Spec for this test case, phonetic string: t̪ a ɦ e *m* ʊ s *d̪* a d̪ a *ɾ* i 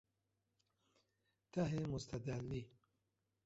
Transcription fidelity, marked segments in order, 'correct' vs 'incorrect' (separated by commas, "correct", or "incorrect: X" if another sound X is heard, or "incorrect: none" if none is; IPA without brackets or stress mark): correct, incorrect: t̪, incorrect: l